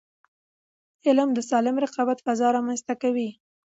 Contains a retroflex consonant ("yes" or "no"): no